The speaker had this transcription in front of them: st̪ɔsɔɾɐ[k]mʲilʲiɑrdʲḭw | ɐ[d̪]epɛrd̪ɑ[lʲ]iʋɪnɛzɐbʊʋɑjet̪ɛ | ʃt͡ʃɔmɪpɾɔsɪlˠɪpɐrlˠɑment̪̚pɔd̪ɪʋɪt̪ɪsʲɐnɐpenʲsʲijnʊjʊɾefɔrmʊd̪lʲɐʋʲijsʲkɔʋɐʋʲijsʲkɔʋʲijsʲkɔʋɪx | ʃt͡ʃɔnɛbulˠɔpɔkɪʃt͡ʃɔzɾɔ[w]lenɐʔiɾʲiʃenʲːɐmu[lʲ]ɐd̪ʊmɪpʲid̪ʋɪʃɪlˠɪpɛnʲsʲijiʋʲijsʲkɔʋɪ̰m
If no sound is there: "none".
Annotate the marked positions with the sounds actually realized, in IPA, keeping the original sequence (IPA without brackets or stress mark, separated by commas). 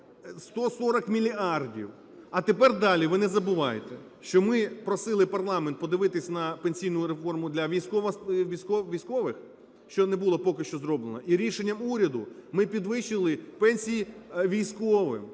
k, t̪, lʲ, b, ɾʲ